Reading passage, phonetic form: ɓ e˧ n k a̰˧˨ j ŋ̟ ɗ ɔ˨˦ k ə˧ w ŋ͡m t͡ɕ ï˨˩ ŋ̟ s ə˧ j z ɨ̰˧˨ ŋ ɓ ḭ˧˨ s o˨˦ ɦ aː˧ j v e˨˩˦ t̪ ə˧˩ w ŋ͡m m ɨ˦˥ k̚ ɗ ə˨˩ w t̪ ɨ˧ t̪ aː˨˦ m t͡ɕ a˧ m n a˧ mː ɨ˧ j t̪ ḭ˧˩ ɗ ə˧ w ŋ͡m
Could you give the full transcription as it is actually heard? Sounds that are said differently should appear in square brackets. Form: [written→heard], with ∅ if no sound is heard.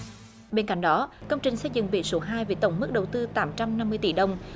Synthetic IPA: ɓ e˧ n k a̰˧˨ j ŋ̟ ɗ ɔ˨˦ k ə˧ w ŋ͡m t͡ɕ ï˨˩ ŋ̟ s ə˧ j z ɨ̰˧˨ ŋ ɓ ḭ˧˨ s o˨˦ ɦ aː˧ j v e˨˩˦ t̪ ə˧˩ w ŋ͡m m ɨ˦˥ k̚ ɗ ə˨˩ w t̪ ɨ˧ t̪ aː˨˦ m t͡ɕ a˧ m n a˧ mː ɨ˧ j t̪ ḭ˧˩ ɗ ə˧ w ŋ͡m